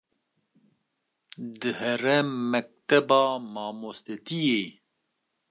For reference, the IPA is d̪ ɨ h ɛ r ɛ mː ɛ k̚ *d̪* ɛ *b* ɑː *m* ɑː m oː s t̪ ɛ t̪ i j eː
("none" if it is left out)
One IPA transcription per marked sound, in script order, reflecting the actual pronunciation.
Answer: t̪, b, m

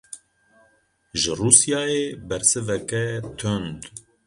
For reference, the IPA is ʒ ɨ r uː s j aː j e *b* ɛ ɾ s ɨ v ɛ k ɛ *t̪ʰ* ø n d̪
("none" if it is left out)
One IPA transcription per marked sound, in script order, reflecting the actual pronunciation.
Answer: b, t̪ʰ

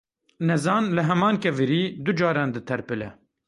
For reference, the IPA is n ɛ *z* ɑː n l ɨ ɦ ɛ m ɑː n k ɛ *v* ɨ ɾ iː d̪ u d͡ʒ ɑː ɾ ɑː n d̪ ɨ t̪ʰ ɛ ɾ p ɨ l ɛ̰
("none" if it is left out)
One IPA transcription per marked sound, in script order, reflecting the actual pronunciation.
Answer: z, v

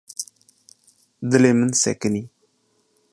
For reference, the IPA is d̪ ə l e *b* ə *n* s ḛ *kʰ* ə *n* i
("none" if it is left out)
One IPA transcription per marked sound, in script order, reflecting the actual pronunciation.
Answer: m, n, k, n

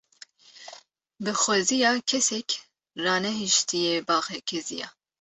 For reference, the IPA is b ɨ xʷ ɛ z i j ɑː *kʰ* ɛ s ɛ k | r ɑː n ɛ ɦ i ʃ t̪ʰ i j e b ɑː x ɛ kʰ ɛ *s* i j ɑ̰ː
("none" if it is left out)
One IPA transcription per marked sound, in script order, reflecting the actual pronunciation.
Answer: kʰ, z

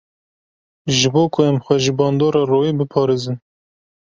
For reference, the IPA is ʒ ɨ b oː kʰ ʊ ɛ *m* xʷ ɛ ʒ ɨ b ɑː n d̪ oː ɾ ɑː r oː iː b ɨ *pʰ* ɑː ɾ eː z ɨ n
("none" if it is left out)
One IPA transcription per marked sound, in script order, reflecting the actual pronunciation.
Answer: m, pʰ

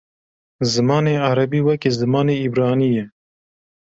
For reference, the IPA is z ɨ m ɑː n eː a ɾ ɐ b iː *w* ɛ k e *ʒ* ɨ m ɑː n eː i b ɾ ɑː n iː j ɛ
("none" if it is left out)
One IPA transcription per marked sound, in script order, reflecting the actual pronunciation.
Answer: w, z

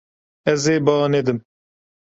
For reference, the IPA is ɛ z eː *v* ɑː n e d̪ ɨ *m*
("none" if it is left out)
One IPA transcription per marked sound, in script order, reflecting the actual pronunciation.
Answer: b, m

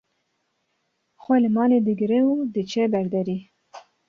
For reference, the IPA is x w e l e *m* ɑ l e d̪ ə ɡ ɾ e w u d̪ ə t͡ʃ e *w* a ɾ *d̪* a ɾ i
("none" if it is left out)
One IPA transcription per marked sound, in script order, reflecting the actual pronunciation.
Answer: m, b, d̪

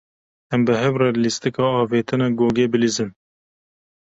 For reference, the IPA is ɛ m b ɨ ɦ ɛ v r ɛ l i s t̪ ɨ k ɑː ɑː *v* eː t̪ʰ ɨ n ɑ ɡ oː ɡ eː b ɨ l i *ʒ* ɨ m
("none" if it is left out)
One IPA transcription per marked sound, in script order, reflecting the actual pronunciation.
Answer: v, z

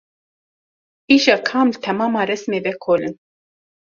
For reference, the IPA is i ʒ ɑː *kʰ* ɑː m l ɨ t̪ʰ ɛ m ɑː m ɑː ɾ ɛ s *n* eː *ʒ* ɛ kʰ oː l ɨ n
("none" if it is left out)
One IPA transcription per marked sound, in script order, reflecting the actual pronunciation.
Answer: kʰ, m, v

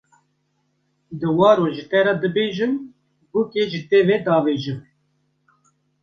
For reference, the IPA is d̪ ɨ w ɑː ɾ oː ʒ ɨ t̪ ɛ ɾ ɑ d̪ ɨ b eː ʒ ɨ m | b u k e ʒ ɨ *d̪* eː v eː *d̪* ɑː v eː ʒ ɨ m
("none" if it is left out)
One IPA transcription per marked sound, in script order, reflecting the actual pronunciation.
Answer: t̪, d̪

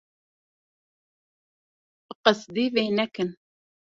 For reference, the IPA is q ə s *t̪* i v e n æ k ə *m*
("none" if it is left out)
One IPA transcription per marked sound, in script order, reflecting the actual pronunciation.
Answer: d̪, n

